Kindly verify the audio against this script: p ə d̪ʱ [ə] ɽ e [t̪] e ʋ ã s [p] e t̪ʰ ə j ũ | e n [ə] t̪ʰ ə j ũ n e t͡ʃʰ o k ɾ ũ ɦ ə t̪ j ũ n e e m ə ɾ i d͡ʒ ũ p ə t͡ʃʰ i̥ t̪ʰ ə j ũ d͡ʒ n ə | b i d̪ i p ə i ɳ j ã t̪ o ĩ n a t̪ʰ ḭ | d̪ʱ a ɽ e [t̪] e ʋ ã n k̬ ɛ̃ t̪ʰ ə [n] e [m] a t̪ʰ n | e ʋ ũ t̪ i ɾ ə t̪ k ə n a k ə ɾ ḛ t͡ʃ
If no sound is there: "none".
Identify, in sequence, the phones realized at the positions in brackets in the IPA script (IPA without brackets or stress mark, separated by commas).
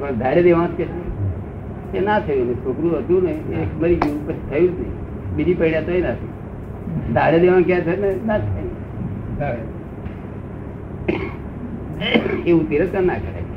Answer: a, d̪, k, a, d̪, n, n